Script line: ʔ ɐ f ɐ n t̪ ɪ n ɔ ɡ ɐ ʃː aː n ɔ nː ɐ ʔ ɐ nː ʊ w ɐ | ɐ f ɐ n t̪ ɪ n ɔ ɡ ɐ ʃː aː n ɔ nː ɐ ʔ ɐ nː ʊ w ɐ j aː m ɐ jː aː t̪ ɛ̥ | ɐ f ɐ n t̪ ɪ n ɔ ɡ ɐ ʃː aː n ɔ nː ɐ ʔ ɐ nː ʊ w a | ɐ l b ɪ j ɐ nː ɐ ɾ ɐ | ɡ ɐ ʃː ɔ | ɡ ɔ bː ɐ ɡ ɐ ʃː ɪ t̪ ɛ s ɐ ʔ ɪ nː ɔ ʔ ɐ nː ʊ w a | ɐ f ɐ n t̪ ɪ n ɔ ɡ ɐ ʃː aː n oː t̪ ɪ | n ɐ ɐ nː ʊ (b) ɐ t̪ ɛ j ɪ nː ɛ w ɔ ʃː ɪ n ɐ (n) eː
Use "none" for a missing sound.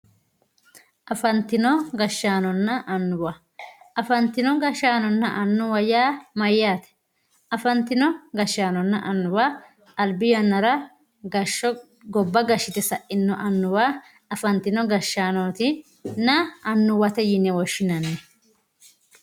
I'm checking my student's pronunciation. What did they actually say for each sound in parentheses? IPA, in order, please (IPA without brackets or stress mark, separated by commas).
w, n